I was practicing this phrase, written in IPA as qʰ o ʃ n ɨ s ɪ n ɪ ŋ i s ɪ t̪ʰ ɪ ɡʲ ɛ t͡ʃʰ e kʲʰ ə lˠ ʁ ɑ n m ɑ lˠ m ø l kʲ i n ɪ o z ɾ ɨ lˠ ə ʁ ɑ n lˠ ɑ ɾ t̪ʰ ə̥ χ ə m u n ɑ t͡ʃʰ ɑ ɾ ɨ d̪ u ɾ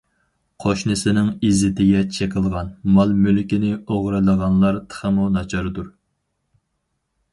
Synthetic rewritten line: qʰ o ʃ n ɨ s ɪ n ɪ ŋ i z ɪ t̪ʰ ɪ ɡʲ ɛ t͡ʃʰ e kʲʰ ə lˠ ʁ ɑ n m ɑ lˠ m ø l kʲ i n ɪ o ʁ ɾ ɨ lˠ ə ʁ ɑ n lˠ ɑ ɾ t̪ʰ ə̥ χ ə m u n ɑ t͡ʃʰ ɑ ɾ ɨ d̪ u ɾ